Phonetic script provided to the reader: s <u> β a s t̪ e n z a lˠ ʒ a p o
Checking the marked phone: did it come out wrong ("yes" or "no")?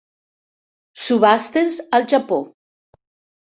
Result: no